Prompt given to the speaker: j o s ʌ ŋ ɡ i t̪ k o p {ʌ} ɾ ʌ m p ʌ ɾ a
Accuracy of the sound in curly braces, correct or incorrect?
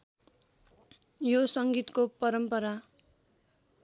correct